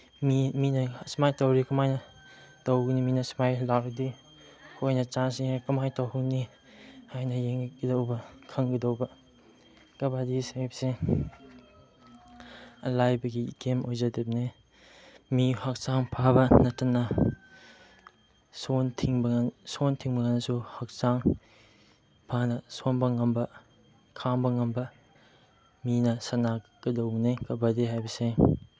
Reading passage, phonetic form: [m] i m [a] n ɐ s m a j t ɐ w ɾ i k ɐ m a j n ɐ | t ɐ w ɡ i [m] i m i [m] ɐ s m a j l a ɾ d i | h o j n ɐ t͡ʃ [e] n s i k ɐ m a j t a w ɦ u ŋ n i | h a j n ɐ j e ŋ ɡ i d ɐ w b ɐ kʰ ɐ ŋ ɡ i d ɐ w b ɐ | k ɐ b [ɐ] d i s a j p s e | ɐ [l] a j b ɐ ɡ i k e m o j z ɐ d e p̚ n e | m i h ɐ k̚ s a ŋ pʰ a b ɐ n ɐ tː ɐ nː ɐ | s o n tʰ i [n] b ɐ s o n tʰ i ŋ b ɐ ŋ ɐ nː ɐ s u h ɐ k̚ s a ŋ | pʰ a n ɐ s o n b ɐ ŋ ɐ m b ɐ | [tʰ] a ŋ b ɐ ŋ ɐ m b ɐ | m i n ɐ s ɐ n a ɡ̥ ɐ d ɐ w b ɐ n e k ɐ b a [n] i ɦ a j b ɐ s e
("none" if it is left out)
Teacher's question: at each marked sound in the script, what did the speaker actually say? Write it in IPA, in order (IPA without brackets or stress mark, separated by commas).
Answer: m, i, n, n, a, a, l, ŋ, kʰ, d